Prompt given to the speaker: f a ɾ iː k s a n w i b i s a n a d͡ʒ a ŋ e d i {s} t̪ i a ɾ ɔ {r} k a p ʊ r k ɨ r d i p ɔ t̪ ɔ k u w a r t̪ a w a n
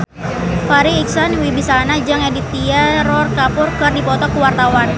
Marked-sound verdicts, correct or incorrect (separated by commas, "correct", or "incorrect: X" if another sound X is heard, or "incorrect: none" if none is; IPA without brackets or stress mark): incorrect: none, correct